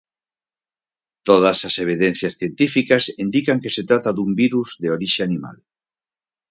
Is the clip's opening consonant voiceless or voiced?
voiceless